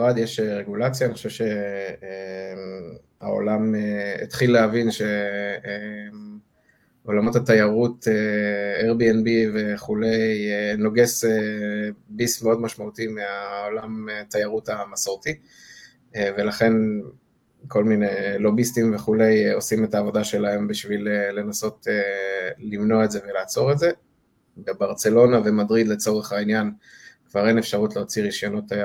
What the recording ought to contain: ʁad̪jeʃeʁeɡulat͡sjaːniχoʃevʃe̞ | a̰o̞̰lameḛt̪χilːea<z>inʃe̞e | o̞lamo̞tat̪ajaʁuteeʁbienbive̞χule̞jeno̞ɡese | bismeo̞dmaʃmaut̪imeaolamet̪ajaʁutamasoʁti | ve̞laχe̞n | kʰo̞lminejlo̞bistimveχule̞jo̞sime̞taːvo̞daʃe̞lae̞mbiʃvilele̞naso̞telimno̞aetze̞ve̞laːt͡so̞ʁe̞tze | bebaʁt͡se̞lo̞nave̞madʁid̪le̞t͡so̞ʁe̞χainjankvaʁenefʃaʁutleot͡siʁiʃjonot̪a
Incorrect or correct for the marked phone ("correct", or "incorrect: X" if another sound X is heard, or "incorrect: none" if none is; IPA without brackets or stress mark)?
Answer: incorrect: v